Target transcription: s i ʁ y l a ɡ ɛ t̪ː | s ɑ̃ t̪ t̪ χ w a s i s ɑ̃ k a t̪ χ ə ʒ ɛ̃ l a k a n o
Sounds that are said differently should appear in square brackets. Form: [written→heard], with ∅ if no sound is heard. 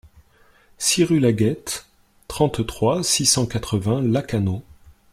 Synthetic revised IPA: s i ʁ y l a ɡ ɛ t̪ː | [s→χ] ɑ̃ t̪ t̪ χ w a s i s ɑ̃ k a t̪ χ ə [ʒ→v] ɛ̃ l a k a n o